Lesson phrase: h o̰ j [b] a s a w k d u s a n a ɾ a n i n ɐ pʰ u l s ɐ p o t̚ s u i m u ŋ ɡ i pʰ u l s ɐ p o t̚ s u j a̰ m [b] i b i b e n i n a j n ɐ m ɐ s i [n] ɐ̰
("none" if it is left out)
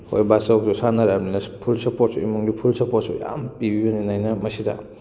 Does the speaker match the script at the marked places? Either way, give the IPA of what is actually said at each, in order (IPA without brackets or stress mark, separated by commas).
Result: b, p, d